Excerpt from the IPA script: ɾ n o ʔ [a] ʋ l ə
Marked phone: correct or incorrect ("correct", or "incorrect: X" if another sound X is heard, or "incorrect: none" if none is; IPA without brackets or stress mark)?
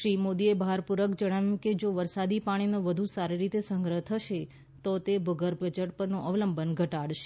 incorrect: ə